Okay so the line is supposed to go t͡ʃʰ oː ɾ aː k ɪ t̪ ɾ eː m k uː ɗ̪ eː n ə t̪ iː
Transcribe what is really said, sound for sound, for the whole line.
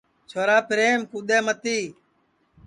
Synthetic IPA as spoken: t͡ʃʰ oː ɾ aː p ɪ ɾ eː m k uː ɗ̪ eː m ə t̪ iː